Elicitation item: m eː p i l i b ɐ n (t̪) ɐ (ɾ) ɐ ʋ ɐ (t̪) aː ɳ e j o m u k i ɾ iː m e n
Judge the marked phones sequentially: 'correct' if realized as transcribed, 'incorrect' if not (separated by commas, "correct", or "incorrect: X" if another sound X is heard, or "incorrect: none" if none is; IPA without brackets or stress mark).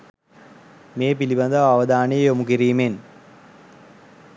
incorrect: d̪, incorrect: none, incorrect: d̪